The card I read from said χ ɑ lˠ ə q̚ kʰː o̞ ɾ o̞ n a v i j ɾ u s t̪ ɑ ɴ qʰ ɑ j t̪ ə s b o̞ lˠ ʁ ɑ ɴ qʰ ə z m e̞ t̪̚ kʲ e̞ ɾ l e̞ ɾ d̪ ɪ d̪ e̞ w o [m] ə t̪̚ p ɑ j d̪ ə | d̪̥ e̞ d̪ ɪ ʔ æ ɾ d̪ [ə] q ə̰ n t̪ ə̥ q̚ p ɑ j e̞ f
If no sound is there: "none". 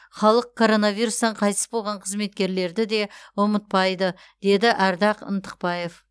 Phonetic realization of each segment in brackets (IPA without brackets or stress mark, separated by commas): m, ɑ